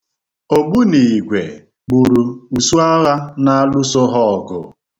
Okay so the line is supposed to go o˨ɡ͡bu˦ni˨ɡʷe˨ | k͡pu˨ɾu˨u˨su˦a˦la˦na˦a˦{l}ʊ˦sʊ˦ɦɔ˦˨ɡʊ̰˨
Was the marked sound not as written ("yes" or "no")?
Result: no